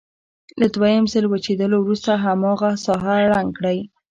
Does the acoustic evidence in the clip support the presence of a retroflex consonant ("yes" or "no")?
yes